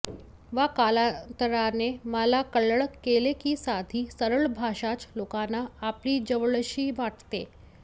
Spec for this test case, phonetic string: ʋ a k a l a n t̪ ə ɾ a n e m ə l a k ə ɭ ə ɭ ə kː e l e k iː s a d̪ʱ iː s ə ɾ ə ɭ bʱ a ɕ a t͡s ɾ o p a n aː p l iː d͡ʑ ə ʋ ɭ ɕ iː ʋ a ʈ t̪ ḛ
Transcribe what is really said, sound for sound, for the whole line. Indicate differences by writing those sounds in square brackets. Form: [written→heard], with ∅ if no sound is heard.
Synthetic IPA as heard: ʋ a k a l a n t̪ ə ɾ a n e m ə l a k ə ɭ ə ɭ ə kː e l e k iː s a d̪ʱ iː s ə ɾ ə ɭ bʱ a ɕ a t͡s [ɾ→l] o [p→k] a n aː p l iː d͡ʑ ə ʋ ɭ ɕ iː ʋ a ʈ t̪ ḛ

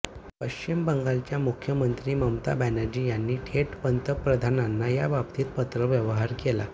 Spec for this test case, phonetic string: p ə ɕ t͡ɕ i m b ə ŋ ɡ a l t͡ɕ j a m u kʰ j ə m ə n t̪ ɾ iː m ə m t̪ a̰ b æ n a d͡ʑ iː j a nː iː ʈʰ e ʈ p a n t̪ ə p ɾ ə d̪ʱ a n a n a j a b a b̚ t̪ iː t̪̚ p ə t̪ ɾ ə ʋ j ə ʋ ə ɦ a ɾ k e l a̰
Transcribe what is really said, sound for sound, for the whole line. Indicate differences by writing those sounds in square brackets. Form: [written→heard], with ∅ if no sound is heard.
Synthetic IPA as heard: p ə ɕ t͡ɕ i m b ə ŋ ɡ a l t͡ɕ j a m u kʰ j ə m ə n t̪ ɾ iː m ə m t̪ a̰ b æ n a d͡ʑ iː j a nː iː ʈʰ e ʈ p [a→ə] n t̪ ə p ɾ ə d̪ʱ a n a [n→nː] a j a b a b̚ t̪ iː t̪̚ p ə t̪ ɾ ə ʋ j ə ʋ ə ɦ a ɾ k e l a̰

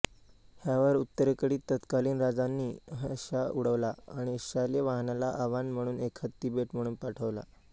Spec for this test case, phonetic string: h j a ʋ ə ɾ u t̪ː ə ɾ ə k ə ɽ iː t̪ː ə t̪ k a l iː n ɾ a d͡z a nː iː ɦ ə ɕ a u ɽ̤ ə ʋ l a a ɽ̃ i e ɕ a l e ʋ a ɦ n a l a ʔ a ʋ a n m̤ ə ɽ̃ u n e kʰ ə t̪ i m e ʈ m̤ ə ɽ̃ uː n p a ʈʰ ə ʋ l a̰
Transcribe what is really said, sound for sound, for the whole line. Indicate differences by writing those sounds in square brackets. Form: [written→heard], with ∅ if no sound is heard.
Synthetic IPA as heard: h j a ʋ ə ɾ u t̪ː ə ɾ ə k ə ɽ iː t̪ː ə t̪ k a l iː n ɾ a d͡z a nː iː ɦ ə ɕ a u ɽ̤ ə ʋ l a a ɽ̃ i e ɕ a l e ʋ a ɦ n a l a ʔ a ʋ a n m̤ ə ɽ̃ [u→uː] n e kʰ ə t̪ i [m→b] e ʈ m̤ ə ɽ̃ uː n p a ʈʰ ə ʋ l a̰

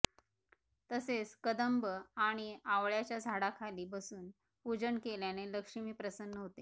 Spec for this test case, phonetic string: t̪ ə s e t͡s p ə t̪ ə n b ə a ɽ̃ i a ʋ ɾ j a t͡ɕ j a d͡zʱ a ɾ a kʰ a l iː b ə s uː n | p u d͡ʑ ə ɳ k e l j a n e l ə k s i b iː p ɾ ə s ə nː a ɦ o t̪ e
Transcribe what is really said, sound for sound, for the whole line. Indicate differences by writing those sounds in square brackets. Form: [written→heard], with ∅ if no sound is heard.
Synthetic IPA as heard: t̪ ə s e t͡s [p→k] ə [t̪→d̪] ə [n→m] b ə a ɽ̃ i a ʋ [ɾ→ɭ] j a t͡ɕ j a d͡zʱ a [ɾ→ɽ] a kʰ a l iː b ə s uː n | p u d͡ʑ ə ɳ k e l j a n e l ə k [s→ʂ] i [b→m] iː p ɾ ə s ə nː [a→ə] ɦ o t̪ e

